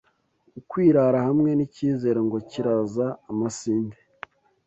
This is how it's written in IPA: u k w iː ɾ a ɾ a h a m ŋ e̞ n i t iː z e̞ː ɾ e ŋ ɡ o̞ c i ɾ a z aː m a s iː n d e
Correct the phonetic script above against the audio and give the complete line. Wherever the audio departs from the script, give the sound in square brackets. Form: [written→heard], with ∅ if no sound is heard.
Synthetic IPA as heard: u k w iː ɾ a ɾ a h a m ŋ e̞ n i [t→c] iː z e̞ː ɾ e ŋ ɡ o̞ c i ɾ a z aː m a s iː n d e